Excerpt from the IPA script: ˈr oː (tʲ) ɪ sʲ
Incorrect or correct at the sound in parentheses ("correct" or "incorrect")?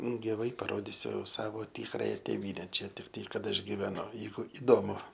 incorrect